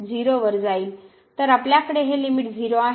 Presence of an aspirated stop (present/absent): absent